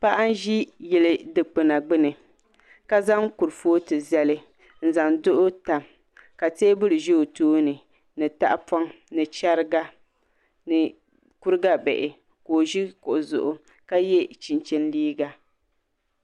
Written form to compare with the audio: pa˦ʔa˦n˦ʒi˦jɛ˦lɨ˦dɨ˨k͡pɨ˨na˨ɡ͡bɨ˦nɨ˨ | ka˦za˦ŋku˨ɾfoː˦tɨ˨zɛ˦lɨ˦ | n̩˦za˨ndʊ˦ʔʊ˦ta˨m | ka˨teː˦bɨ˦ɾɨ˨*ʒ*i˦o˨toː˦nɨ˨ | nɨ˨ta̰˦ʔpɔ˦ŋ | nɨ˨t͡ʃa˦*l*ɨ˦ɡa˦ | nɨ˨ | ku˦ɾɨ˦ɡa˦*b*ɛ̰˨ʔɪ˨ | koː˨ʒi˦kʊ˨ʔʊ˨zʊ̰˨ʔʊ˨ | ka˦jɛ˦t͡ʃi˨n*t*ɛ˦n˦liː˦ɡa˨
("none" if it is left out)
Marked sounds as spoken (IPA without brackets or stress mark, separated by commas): ʒ, ɾ, b, t͡ʃ